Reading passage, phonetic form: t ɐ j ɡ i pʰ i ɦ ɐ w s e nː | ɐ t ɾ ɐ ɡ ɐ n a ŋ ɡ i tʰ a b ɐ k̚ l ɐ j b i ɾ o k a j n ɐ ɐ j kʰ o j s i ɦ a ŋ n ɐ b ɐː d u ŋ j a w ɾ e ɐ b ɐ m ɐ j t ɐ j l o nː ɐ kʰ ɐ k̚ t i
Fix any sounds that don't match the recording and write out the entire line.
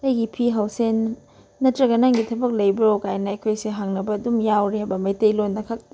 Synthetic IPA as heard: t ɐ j ɡ i pʰ i ɦ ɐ w s e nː | ɐ t ɾ ɐ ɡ ɐ n a ŋ ɡ i tʰ ɐ b ɐ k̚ l ɐ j b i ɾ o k a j n ɐ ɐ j kʰ o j s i ɦ a ŋ n ɐ b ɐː d u m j a w ɾ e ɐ b ɐ m ɐ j t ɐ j l o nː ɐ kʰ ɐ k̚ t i